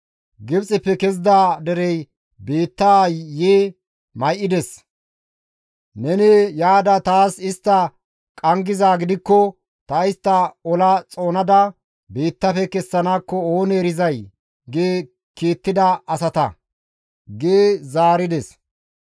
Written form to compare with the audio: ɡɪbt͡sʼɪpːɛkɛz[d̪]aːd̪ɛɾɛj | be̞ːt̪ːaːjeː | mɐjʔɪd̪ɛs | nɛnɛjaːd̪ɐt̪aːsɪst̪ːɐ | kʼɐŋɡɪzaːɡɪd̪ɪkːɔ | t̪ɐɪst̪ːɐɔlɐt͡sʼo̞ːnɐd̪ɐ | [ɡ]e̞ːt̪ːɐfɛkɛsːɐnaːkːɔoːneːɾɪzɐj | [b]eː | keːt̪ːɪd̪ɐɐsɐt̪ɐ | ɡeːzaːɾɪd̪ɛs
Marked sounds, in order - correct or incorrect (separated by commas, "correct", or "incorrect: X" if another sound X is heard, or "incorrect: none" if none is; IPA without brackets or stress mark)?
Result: correct, incorrect: b, incorrect: ɡ